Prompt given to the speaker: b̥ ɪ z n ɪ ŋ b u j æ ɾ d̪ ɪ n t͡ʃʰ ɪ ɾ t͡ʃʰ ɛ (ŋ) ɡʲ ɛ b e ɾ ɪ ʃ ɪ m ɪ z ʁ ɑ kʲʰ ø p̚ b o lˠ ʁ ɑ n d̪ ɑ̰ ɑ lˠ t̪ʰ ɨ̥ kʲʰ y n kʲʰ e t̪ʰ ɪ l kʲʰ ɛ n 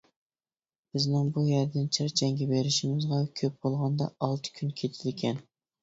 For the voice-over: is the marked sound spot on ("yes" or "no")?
yes